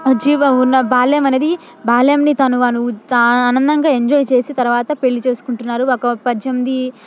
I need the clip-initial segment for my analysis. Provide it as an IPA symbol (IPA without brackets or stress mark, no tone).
d͡ʒ